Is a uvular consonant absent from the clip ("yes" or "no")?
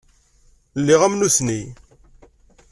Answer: no